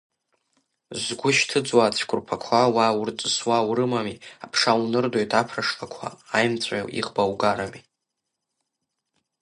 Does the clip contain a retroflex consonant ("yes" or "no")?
yes